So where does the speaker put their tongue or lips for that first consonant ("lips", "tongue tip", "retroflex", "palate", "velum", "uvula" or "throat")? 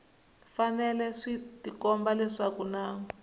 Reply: lips